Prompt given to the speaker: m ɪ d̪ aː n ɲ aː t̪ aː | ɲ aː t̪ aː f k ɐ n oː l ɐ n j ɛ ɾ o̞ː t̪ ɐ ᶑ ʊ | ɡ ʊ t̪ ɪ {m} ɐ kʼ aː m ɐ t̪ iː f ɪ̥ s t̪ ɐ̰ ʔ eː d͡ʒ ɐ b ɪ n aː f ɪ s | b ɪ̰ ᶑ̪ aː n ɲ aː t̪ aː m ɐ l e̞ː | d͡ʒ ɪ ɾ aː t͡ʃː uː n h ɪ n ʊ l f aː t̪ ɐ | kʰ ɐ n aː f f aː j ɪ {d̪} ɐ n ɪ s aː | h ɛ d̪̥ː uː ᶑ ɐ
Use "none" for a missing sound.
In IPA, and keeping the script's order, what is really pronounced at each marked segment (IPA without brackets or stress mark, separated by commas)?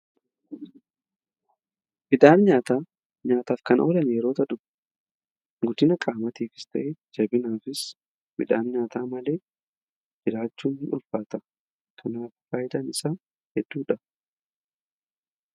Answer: n, d̪